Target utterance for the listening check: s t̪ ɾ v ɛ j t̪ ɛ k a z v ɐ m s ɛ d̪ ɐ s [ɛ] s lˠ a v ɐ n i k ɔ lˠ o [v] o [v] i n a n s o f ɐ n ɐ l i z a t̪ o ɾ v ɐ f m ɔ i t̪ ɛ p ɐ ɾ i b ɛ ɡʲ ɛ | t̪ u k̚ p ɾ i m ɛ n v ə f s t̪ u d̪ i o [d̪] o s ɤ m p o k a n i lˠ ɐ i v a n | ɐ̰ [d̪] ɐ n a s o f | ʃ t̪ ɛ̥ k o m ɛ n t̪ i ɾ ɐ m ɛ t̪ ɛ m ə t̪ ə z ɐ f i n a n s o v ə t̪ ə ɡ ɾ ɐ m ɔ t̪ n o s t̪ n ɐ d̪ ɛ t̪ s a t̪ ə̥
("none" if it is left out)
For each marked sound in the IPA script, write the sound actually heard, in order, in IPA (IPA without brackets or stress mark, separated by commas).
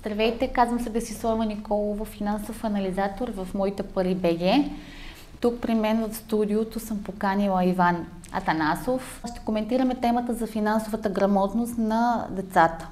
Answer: i, v, f, t̪, t̪